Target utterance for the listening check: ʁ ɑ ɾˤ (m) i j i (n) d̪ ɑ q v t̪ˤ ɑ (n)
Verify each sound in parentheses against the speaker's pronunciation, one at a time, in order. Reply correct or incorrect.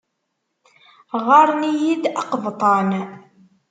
incorrect: n, incorrect: none, correct

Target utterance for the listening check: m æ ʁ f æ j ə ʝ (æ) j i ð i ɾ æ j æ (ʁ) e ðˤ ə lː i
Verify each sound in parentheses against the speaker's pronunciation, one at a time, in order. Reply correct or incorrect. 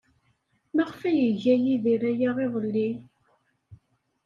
correct, correct

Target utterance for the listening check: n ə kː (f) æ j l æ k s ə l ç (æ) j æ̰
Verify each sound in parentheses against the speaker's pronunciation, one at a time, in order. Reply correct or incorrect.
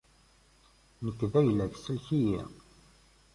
incorrect: v, incorrect: i

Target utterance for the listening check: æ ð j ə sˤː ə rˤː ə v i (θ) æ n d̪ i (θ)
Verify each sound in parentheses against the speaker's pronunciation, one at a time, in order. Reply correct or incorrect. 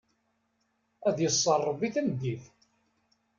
correct, correct

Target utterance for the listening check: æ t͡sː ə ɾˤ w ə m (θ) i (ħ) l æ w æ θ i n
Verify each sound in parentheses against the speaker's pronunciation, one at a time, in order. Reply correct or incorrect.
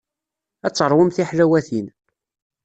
correct, correct

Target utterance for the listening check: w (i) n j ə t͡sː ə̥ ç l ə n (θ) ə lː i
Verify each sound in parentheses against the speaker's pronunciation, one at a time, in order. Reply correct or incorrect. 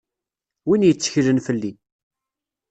correct, incorrect: f

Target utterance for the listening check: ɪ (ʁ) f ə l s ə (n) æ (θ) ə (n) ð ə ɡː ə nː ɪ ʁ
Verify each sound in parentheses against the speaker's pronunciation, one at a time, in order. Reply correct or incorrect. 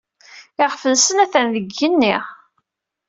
correct, correct, correct, correct

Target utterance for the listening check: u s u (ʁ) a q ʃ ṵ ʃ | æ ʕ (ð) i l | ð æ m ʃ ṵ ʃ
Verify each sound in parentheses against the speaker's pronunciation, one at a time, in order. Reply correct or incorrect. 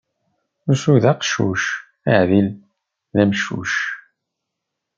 incorrect: ð, correct

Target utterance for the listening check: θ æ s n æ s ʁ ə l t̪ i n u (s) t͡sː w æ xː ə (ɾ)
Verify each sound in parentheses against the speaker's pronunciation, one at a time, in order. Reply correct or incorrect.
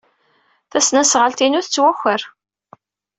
incorrect: θ, correct

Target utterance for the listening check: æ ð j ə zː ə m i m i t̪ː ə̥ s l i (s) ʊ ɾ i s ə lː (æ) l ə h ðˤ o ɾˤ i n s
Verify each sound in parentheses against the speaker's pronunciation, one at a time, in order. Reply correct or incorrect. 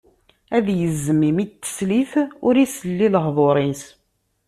incorrect: θ, incorrect: i

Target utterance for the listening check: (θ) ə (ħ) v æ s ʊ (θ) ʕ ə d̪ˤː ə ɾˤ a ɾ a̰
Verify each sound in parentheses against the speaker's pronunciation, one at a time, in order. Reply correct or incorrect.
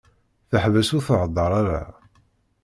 correct, correct, correct

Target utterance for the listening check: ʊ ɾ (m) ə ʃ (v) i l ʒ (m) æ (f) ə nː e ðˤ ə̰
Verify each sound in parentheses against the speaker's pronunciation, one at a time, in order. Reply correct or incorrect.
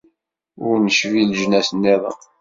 incorrect: n, correct, incorrect: n, incorrect: s

